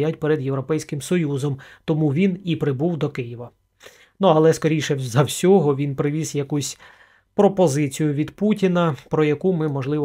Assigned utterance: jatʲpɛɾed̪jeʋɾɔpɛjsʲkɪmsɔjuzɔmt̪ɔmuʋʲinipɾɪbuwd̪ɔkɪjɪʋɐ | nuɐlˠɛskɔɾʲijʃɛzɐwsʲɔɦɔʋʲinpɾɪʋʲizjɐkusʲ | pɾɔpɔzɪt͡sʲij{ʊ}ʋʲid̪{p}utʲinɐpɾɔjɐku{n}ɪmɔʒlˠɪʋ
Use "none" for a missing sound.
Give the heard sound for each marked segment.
ʊ, p, m

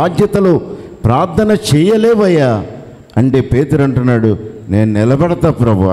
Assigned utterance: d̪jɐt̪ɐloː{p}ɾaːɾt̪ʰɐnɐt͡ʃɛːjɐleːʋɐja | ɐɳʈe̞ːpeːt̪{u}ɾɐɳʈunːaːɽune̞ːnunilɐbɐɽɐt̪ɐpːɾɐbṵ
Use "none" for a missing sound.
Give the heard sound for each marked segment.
p, u

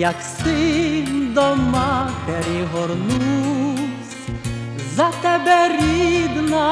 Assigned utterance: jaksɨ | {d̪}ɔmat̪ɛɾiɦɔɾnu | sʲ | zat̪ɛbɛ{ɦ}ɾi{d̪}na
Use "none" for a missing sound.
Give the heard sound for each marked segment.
d̪, none, d̪

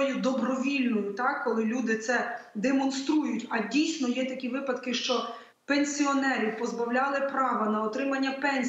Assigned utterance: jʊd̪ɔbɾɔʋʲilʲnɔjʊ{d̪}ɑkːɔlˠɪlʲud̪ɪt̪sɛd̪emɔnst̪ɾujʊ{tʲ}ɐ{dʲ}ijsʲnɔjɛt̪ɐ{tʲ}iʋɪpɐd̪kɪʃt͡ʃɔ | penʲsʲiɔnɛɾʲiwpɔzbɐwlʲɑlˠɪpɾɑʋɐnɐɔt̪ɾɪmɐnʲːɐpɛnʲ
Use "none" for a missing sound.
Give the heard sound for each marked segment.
t̪, tʲ, dʲ, kʲ

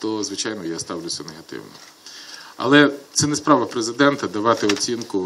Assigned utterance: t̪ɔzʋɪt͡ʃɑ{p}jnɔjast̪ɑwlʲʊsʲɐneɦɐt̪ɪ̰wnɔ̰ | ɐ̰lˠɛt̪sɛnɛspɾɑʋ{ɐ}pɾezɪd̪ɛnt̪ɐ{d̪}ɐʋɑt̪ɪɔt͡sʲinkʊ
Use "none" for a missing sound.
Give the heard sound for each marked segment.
none, ɐ, d̪

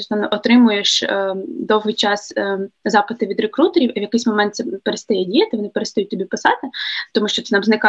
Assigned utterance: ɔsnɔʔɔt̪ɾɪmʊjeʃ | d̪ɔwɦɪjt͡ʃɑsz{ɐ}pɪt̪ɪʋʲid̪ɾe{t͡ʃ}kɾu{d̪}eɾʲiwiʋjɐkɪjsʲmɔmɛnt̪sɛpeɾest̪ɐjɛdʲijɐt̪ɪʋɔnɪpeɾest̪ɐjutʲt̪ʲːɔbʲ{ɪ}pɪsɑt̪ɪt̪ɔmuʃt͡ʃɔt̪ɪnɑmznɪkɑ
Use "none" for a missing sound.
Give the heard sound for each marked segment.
ɑ, none, t̪, i

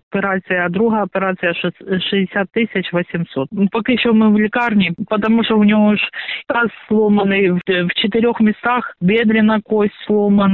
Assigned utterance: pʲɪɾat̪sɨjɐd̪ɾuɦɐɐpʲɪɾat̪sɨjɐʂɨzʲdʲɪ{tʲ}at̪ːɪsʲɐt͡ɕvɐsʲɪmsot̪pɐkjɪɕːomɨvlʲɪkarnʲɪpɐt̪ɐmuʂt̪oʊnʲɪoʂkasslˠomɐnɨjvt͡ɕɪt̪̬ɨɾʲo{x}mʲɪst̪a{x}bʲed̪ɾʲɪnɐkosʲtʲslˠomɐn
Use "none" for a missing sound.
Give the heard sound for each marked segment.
sʲ, x, x

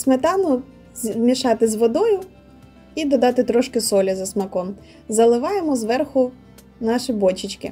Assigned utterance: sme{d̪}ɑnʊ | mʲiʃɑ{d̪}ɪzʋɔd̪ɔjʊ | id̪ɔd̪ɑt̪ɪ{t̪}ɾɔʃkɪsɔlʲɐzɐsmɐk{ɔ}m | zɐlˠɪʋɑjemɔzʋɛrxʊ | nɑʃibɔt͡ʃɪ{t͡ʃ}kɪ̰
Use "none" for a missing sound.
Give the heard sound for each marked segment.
t̪, t̪, t̪, ɔ, t͡ʃ

